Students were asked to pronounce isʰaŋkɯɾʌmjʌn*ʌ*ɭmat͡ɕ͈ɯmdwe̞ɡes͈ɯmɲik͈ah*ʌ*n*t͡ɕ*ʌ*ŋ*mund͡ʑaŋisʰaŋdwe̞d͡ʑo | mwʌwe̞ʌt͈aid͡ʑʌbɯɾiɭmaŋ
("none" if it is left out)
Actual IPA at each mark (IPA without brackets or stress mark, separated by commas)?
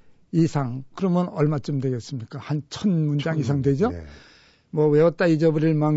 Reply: ʌ, a, t͡ɕʰ, n